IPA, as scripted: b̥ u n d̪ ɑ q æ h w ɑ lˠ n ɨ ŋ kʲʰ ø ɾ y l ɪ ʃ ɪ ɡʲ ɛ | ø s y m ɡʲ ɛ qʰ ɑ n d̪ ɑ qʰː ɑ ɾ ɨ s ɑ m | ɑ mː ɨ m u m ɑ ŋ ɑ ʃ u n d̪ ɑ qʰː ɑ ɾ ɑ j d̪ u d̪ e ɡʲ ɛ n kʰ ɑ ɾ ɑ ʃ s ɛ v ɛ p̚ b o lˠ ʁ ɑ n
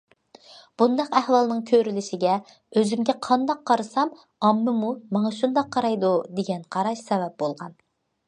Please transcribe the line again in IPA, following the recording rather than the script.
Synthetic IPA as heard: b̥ u n d̪ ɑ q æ h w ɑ lˠ n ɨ ŋ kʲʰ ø ɾ y l ɪ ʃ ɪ ɡʲ ɛ | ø z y m ɡʲ ɛ qʰ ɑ n d̪ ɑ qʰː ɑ ɾ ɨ s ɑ m | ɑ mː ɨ m u m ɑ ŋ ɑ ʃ u n d̪ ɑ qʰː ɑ ɾ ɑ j d̪ u d̪ e ɡʲ ɛ n qʰ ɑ ɾ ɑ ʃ s ɛ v ɛ p̚ b o lˠ ʁ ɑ n